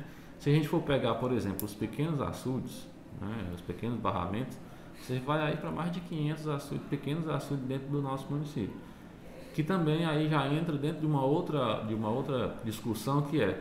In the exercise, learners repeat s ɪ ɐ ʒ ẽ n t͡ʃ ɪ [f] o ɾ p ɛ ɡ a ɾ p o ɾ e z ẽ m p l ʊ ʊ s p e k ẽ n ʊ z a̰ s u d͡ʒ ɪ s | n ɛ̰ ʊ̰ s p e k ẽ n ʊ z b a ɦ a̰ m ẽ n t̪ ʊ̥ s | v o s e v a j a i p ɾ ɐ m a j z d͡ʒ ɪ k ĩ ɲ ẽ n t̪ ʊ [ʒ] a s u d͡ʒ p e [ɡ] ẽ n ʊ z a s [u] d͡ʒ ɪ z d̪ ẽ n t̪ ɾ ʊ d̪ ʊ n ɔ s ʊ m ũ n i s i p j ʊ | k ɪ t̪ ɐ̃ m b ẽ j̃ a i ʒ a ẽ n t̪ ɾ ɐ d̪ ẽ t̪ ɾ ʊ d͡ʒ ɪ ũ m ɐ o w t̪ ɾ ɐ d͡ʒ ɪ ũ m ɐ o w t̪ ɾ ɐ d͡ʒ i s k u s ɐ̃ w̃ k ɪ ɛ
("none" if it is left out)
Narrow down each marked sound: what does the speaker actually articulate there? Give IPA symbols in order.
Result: f, z, k, u

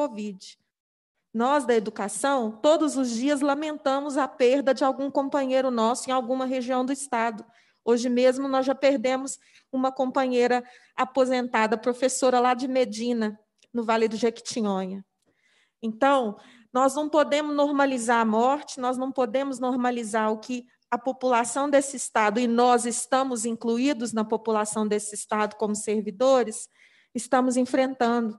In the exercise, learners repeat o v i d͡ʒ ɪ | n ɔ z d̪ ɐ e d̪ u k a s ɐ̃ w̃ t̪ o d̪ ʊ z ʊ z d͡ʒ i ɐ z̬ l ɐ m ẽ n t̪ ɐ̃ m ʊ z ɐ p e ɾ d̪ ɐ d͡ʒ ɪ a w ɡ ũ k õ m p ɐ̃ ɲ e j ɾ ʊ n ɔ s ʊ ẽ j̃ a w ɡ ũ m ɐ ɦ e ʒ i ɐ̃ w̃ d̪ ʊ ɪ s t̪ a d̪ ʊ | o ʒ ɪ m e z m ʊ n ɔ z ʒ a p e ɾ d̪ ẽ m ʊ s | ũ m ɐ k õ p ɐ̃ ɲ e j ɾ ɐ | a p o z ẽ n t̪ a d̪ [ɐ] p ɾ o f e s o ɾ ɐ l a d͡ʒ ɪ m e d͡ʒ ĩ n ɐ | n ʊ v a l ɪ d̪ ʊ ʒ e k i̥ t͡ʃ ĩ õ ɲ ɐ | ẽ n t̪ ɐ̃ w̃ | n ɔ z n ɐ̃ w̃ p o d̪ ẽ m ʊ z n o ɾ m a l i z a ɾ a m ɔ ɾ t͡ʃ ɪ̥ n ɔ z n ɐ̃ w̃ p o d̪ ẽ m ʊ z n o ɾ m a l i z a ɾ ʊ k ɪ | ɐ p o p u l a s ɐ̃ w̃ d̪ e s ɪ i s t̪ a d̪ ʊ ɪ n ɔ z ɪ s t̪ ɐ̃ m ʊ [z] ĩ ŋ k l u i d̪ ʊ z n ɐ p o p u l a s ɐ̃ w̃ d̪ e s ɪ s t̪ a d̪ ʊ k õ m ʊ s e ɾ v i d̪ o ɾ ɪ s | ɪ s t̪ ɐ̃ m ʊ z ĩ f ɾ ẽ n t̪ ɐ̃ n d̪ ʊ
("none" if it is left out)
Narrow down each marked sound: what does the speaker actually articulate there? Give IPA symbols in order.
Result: ɐ, z

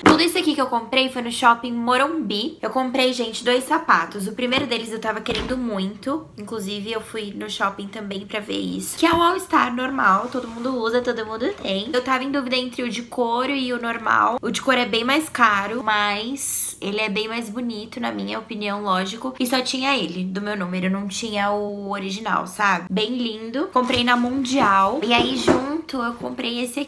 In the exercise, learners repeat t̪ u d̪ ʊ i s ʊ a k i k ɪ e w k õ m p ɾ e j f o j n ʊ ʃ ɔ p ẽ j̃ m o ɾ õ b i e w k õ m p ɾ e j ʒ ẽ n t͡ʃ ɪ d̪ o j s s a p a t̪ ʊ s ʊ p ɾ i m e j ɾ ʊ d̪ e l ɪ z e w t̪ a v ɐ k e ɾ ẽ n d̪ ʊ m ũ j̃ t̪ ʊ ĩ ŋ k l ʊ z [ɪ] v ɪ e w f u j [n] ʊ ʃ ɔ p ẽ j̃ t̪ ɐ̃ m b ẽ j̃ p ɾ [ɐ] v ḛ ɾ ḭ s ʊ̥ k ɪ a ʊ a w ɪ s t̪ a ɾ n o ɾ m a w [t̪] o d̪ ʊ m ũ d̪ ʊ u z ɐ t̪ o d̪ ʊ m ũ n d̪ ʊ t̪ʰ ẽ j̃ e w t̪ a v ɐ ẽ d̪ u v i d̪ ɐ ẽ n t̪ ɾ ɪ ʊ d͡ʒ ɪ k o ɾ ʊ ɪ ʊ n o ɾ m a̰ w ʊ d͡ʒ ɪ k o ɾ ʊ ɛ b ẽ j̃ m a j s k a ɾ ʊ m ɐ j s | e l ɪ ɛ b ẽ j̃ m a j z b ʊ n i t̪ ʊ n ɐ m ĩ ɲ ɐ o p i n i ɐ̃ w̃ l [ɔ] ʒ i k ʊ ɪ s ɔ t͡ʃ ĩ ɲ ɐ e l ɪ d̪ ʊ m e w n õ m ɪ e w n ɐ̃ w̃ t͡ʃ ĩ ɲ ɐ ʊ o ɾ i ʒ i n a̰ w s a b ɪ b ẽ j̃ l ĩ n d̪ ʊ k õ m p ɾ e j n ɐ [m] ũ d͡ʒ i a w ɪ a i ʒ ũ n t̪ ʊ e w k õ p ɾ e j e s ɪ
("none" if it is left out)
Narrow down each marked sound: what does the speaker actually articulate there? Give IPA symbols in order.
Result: i, n, ɐ, t̪, ɔ, m

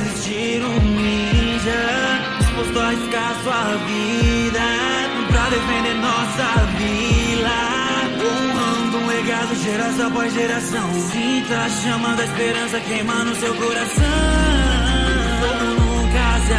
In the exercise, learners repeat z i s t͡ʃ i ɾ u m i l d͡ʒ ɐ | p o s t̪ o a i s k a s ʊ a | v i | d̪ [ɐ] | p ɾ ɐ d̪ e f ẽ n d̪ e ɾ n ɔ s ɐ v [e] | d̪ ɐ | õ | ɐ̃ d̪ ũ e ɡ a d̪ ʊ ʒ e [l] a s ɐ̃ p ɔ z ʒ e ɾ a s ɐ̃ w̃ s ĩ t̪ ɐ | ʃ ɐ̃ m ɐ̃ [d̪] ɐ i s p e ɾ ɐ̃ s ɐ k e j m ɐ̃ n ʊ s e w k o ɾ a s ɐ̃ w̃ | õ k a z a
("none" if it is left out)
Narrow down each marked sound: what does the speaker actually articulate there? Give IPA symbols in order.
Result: ɐ, i, ɾ, d̪

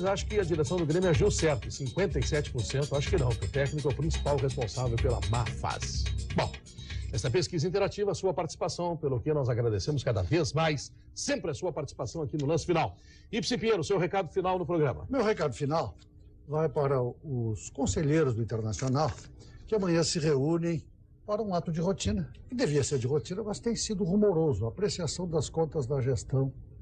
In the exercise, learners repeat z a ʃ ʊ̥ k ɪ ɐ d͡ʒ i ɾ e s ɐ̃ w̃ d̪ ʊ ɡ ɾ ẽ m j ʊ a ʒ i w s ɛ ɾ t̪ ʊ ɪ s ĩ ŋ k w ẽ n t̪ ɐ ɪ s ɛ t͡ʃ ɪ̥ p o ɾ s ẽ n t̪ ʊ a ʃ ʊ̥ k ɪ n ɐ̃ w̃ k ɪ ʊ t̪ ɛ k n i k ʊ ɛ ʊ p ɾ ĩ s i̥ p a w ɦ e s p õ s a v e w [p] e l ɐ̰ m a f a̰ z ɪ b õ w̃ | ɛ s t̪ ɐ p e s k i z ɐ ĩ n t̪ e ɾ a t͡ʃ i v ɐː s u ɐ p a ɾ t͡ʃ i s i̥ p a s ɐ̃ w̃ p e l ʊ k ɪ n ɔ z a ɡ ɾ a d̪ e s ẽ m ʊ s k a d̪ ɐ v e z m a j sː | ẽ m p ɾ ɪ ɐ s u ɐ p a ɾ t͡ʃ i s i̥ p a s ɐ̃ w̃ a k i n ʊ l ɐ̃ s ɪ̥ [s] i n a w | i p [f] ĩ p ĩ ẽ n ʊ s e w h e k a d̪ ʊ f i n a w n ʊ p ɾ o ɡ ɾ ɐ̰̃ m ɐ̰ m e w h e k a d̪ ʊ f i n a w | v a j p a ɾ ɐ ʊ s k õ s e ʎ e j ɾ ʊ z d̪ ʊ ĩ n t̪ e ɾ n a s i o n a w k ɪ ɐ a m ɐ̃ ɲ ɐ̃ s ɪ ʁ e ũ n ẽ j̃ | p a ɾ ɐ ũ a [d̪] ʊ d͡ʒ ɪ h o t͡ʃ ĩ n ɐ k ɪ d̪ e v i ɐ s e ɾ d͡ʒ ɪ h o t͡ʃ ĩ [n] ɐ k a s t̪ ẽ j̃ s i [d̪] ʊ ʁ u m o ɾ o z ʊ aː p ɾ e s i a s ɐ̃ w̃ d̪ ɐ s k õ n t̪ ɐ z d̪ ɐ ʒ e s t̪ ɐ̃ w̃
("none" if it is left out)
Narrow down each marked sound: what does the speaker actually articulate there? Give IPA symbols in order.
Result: p, f, s, t̪, n, d̪

